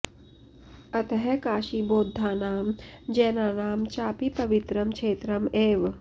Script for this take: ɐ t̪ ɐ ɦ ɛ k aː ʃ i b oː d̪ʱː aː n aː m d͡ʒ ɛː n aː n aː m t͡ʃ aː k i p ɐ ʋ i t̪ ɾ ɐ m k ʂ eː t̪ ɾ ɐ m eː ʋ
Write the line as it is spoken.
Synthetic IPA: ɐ t̪ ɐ ɦ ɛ k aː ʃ i b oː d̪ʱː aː n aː m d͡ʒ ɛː n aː n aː m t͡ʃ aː p i p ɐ ʋ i t̪ ɾ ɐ m k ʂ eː t̪ ɾ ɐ m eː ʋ